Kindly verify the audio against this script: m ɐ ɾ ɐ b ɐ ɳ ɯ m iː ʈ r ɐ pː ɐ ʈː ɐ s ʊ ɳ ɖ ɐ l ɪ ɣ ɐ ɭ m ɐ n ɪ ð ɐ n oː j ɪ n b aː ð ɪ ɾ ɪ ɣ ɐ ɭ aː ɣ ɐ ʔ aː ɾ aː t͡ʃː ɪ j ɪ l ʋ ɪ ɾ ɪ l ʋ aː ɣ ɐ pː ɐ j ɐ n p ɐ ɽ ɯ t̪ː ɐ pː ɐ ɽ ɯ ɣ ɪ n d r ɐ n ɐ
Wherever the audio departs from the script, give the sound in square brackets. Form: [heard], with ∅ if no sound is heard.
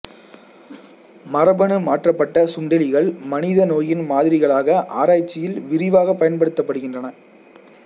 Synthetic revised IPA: m ɐ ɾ ɐ b ɐ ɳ ɯ m [aː] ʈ r ɐ pː ɐ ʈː ɐ s ʊ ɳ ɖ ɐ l ɪ ɣ ɐ ɭ m ɐ n ɪ ð ɐ n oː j ɪ n [m] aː ð ɪ ɾ ɪ ɣ ɐ ɭ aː ɣ ɐ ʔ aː ɾ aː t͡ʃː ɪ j ɪ l ʋ ɪ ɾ ɪ [∅] ʋ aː ɣ ɐ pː ɐ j ɐ n p ɐ ɽ ɯ t̪ː ɐ pː ɐ ɽ ɯ ɣ ɪ n d r ɐ n ɐ